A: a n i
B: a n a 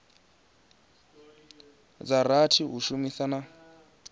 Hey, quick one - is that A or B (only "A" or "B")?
B